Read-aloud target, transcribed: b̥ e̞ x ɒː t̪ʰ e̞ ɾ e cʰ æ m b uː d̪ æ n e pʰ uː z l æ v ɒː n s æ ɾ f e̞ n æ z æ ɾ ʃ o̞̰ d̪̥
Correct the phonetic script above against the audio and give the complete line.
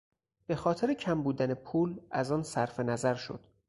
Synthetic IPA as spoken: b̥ e̞ x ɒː t̪ʰ e̞ ɾ e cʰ æ m b uː d̪ æ n e pʰ uː l æ z ɒː n s æ ɾ f e̞ n æ z æ ɾ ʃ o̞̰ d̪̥